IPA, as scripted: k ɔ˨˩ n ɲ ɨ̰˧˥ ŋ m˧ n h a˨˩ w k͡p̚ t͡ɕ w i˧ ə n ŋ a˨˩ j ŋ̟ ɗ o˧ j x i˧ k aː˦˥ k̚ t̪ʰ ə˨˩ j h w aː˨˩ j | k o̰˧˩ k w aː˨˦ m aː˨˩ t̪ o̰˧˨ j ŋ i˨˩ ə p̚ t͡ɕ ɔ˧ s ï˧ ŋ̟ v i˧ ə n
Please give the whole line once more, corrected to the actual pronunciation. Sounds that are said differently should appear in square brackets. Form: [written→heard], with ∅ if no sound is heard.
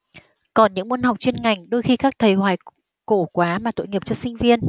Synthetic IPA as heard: k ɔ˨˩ n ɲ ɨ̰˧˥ ŋ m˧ n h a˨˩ w k͡p̚ t͡ɕ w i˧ ə n ŋ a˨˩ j ŋ̟ ɗ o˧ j x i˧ k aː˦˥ k̚ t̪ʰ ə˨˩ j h w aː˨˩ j | k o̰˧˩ k w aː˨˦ m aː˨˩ t̪ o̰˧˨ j ŋ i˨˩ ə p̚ t͡ɕ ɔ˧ s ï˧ ŋ̟ v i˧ ə n